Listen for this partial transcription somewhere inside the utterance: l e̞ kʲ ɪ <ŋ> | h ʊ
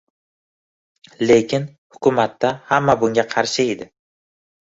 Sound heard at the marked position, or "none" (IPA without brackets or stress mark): n